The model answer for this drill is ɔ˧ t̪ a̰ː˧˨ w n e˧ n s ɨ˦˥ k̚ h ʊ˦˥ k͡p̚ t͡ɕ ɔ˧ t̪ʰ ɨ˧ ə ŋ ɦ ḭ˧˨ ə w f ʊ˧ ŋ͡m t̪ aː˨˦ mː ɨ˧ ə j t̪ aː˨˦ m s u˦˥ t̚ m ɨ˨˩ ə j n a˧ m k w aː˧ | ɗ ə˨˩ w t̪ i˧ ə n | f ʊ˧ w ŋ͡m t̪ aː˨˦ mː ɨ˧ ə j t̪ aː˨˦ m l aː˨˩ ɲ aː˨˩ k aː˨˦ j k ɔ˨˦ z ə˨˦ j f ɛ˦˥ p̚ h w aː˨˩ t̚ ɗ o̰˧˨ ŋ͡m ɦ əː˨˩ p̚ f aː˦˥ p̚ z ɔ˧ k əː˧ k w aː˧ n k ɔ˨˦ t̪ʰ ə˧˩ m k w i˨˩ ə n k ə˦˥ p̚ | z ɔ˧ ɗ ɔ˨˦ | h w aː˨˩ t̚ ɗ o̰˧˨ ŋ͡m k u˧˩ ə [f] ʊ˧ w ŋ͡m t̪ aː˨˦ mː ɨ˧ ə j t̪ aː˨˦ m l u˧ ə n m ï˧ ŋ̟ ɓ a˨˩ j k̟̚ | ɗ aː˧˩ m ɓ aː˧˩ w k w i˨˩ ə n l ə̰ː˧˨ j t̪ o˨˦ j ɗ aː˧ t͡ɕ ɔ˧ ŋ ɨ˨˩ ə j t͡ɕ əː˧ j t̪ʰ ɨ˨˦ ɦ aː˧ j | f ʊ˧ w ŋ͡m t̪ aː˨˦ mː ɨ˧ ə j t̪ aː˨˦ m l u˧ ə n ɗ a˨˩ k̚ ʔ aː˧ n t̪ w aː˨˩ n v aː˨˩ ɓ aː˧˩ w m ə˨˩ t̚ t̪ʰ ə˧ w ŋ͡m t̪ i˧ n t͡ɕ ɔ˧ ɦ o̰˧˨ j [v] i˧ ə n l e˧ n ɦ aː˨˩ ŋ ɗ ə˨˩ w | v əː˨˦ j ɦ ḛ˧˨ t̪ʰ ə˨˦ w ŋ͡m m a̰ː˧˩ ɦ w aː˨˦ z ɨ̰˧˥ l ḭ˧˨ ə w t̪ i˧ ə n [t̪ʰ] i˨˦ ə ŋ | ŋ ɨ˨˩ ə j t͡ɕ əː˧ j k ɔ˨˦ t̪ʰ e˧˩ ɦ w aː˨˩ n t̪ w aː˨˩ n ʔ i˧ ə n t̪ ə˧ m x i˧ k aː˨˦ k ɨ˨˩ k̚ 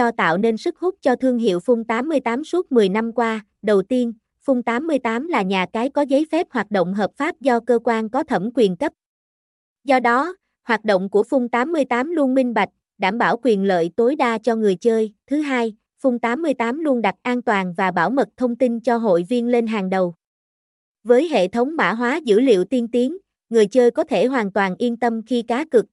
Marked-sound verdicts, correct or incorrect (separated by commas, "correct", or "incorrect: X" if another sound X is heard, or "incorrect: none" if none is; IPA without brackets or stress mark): correct, correct, incorrect: t̪